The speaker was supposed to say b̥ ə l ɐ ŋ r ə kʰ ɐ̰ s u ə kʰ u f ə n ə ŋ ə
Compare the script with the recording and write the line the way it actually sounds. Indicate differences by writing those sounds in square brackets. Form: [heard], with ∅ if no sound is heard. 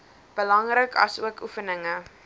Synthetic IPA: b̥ ə l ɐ ŋ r ə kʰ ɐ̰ s u ə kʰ u f ə n ə ŋ ə